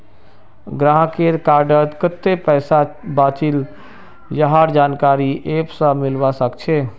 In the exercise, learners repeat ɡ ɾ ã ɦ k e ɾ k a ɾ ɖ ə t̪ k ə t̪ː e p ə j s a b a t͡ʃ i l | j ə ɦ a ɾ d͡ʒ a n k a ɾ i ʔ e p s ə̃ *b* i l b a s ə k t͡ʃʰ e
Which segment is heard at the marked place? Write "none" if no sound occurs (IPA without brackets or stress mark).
m